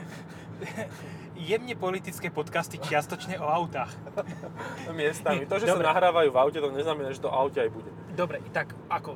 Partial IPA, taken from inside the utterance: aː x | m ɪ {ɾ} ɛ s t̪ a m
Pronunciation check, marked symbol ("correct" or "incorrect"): incorrect